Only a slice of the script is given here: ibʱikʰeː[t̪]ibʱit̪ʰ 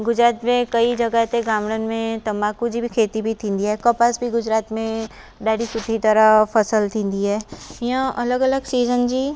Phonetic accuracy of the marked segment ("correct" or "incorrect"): correct